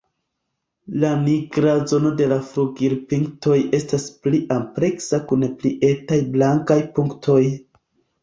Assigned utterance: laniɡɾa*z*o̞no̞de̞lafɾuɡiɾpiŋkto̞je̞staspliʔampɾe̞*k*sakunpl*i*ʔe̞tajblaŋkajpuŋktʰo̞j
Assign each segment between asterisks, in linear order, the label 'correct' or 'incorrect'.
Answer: correct, correct, correct

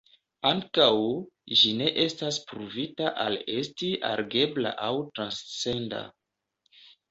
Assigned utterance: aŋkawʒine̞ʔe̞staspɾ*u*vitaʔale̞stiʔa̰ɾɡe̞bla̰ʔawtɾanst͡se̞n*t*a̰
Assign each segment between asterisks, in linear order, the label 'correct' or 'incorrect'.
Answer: correct, incorrect: d

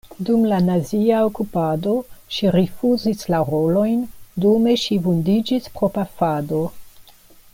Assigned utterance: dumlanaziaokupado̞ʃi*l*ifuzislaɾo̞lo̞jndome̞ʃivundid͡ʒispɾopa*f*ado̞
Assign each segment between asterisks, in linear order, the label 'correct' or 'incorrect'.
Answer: incorrect: ɾ, correct

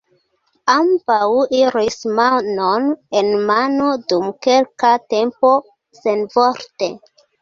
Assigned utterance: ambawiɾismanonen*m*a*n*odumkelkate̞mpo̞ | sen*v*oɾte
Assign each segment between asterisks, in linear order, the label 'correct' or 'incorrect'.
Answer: correct, correct, correct

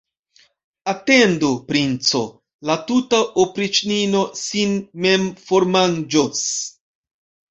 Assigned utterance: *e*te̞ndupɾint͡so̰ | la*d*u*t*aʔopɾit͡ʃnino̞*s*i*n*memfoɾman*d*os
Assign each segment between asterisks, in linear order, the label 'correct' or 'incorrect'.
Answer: incorrect: a, incorrect: t, correct, correct, correct, incorrect: d͡ʒ

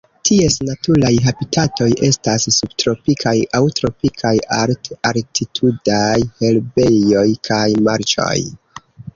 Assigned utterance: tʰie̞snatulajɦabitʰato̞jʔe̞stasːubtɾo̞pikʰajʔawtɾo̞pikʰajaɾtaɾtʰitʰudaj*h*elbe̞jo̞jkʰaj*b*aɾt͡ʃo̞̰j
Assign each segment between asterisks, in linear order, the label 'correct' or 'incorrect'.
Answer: correct, incorrect: m

